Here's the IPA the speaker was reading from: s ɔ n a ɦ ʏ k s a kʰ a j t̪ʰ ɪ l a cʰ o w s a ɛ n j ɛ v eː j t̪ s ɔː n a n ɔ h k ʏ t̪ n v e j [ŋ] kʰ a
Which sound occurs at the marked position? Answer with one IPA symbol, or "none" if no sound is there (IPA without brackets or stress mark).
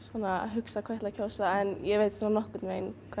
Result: n